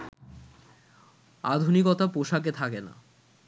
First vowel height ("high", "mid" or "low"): low